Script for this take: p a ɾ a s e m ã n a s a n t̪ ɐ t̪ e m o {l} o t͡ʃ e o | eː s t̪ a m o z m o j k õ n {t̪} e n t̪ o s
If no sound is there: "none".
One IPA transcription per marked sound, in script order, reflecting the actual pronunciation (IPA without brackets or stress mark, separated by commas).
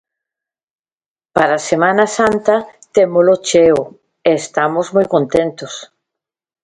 l, t̪